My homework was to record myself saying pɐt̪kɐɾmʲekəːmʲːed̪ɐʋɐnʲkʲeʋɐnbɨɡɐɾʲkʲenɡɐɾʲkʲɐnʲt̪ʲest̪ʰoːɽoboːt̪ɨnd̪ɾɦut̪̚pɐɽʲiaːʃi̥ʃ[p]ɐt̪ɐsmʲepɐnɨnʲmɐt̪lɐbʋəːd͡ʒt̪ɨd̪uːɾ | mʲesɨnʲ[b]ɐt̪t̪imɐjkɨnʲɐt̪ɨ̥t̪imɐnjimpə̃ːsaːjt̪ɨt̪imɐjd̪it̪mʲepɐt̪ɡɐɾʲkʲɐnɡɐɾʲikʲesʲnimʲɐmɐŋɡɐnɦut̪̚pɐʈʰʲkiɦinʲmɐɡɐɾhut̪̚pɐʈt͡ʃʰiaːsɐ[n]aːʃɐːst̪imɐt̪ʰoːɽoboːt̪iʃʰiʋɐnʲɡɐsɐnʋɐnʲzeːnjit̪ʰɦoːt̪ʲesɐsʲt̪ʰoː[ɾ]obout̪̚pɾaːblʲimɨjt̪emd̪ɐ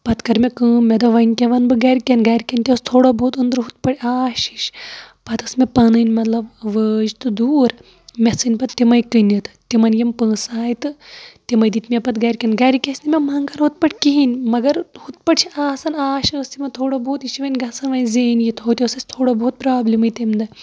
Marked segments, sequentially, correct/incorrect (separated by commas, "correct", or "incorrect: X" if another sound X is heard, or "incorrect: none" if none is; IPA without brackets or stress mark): correct, incorrect: p, correct, incorrect: ɽ